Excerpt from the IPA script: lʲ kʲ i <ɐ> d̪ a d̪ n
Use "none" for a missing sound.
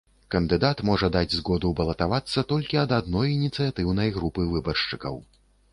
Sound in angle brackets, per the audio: ɐ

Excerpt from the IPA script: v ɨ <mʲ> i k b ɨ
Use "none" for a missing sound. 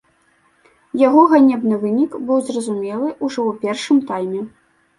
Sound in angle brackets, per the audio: nʲ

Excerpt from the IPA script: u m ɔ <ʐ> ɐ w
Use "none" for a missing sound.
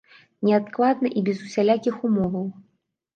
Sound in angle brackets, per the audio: v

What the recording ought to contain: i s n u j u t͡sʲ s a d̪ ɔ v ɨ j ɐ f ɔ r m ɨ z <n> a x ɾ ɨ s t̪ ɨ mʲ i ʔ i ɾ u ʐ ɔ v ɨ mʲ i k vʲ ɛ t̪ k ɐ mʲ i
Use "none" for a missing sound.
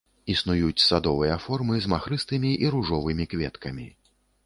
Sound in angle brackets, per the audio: m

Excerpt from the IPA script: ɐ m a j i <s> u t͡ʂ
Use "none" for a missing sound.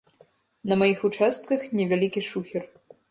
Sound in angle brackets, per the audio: x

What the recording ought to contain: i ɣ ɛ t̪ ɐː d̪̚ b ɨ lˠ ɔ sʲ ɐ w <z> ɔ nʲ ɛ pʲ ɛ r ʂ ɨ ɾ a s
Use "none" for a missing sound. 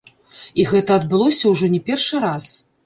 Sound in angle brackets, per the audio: ʐ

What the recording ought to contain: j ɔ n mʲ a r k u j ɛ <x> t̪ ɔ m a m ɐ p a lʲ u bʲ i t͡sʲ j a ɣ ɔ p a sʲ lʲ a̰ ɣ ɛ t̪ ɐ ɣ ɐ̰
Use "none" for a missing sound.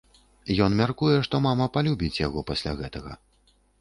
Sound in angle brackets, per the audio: ʂ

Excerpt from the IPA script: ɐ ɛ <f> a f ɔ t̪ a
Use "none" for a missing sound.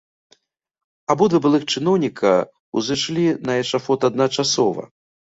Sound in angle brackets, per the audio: ʂ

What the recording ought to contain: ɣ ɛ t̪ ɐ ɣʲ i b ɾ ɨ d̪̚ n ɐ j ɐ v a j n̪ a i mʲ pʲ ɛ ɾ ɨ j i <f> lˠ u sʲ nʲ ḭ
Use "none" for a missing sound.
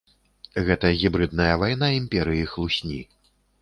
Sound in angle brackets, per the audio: x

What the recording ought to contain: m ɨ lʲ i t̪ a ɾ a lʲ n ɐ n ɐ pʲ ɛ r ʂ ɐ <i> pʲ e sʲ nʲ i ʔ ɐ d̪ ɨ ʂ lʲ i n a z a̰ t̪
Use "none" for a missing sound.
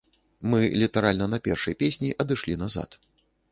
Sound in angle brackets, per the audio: j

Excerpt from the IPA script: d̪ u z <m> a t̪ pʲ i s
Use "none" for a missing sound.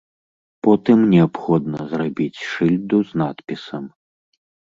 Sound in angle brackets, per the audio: n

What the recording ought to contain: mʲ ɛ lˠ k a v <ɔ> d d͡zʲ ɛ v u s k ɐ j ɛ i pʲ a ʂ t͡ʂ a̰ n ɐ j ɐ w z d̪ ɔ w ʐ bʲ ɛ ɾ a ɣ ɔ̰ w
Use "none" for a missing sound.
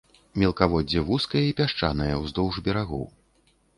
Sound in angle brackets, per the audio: ɔ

